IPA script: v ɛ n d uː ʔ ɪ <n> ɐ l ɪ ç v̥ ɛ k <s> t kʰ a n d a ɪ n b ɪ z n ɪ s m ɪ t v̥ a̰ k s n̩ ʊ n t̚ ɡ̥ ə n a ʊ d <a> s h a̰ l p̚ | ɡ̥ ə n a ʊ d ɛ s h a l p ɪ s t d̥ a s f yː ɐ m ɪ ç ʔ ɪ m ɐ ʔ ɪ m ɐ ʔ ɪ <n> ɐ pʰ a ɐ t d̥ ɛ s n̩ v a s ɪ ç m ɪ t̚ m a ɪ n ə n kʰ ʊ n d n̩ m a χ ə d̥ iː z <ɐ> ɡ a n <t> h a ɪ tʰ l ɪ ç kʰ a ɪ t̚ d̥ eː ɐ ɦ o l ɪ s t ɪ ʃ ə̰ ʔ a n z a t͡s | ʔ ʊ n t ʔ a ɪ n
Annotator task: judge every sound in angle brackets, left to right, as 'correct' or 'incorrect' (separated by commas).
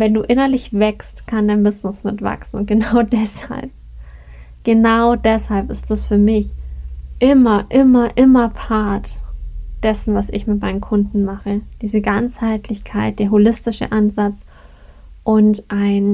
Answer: correct, correct, incorrect, incorrect, incorrect, incorrect